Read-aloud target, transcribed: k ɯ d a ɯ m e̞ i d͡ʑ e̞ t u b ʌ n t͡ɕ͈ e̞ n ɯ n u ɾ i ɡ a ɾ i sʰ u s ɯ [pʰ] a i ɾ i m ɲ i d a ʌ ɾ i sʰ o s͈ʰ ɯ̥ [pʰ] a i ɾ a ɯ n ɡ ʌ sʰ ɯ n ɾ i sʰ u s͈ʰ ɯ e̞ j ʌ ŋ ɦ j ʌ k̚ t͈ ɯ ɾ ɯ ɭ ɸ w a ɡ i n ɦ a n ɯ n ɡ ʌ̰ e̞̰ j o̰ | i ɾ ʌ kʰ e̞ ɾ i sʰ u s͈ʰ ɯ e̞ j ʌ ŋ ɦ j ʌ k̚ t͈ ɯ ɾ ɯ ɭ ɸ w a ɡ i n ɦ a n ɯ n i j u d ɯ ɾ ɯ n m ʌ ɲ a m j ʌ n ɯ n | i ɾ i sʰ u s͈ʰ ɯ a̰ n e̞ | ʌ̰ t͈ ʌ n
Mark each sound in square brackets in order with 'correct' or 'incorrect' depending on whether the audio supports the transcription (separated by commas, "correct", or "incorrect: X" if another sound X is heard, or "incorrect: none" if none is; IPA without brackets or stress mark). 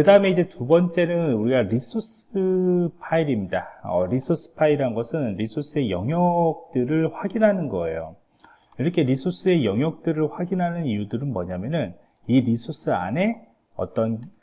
correct, correct